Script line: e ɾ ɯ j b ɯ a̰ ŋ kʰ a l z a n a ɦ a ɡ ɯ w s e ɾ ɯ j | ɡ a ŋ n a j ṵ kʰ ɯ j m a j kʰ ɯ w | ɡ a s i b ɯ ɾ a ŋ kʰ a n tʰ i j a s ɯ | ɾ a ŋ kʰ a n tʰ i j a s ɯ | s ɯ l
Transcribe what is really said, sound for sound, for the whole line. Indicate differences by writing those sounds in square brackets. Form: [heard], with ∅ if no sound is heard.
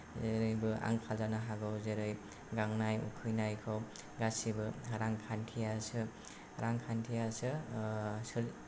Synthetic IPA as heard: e ɾ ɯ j b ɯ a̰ ŋ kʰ a l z a n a ɦ a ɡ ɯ w [z] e ɾ ɯ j | ɡ a ŋ n a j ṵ kʰ ɯ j [n] a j kʰ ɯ w | ɡ a s i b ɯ ɾ a ŋ kʰ a n tʰ i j a s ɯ | ɾ a ŋ kʰ a n tʰ i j a s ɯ | s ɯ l